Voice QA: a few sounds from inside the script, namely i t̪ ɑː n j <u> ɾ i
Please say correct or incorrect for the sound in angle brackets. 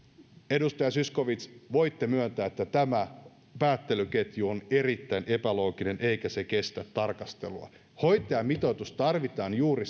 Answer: incorrect